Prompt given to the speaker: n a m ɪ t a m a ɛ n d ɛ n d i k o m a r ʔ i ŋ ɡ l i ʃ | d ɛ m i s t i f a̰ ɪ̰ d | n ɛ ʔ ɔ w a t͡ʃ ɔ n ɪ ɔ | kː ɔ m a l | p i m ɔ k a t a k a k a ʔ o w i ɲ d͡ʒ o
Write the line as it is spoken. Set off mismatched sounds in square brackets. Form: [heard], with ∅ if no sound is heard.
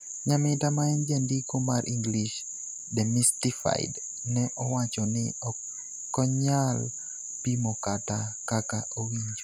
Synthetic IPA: [ɲ] a m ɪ t a m a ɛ n [d͡ʒ] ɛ n d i k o m a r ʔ i ŋ ɡ l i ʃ | d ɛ m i s t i f a̰ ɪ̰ d | n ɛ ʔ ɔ w a t͡ʃ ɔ n ɪ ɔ | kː ɔ [ɲ] a l | p i m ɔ k a t a k a k a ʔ o w i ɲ d͡ʒ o